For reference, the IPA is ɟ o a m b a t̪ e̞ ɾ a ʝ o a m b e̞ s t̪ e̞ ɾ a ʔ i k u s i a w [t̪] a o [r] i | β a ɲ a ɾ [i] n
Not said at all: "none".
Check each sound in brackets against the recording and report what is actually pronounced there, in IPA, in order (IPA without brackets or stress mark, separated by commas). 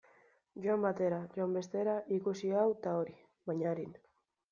t̪, ɾ, i